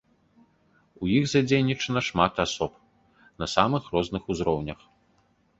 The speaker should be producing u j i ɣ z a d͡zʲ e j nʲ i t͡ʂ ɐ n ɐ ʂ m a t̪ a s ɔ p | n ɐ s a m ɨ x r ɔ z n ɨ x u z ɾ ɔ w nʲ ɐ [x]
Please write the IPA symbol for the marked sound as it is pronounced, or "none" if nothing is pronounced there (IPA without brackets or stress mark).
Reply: x